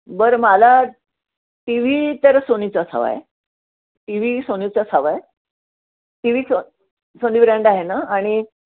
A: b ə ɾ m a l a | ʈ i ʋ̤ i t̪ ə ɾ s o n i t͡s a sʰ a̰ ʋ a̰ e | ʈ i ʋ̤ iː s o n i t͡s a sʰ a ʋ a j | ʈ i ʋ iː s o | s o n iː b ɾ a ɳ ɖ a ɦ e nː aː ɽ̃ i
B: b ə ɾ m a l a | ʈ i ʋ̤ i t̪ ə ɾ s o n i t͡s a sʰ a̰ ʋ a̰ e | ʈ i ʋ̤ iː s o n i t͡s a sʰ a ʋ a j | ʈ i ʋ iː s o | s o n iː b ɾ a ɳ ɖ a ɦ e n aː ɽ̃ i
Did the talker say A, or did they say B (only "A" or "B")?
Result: B